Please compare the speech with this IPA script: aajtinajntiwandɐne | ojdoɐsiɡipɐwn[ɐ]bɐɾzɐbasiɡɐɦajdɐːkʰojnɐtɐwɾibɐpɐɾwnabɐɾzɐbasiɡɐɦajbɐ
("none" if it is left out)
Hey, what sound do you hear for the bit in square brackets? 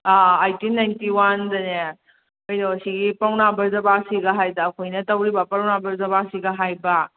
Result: a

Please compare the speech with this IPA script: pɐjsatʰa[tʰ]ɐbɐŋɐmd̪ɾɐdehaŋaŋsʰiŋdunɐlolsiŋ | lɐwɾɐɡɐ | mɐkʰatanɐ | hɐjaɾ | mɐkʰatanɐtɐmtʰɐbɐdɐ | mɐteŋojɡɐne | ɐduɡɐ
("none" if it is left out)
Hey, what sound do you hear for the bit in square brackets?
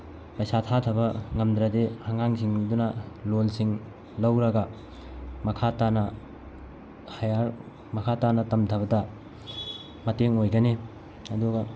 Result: tʰ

